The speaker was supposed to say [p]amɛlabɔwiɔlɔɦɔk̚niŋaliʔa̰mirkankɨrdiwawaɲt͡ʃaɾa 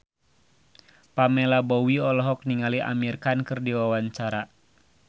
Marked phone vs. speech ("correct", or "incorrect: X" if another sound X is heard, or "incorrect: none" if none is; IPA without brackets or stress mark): correct